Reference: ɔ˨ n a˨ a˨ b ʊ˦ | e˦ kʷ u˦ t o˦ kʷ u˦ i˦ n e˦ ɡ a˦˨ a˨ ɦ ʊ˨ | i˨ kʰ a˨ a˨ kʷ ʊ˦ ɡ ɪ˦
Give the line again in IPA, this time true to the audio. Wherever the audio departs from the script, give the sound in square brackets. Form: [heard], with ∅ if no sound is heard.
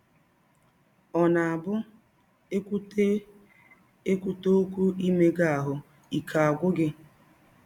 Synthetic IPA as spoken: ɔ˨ n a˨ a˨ b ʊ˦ | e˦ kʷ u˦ t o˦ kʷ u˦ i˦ [m] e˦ ɡ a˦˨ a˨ ɦ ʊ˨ | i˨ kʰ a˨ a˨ [ɡʷ] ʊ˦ ɡ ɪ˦